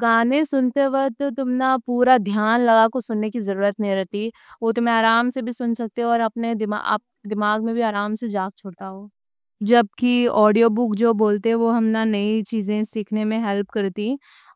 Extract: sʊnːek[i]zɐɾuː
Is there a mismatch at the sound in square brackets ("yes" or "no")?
no